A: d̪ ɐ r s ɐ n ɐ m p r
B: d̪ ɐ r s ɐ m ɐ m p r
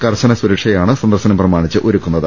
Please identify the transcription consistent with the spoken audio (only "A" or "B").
A